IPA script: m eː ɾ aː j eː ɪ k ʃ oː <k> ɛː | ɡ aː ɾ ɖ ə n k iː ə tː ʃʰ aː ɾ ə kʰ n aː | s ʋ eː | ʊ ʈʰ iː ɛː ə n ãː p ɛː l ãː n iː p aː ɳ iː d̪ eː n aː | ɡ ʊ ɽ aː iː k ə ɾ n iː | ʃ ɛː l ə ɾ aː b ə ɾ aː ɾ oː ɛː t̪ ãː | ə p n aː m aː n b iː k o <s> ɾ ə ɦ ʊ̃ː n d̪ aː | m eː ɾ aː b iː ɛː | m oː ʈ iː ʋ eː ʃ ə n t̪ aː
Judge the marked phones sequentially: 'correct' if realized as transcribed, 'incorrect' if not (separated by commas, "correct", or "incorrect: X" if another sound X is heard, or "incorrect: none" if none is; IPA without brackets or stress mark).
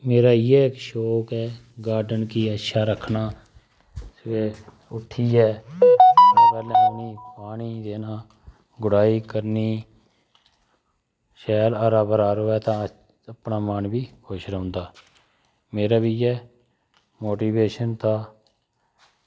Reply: correct, incorrect: ʃ